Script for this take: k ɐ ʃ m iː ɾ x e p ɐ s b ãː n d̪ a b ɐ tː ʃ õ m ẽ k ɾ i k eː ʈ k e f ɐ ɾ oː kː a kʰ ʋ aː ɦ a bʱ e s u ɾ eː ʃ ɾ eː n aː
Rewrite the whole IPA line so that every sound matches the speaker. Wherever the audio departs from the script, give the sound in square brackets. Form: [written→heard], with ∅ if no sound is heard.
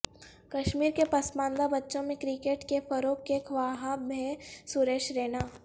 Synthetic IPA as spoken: k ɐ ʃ m iː ɾ [x→k] e p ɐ s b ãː n d̪ a b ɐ tː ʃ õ m ẽ k ɾ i k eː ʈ k e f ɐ ɾ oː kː [a→e] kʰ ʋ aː ɦ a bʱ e s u ɾ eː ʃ ɾ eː n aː